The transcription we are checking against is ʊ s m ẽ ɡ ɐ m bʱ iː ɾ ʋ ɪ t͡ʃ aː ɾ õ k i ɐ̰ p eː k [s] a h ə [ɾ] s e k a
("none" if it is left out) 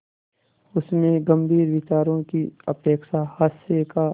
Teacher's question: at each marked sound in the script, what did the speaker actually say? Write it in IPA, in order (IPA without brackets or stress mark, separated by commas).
ʃ, none